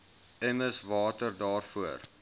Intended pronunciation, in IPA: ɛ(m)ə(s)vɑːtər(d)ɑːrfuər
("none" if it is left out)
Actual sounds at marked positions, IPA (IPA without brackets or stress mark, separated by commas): m, s, d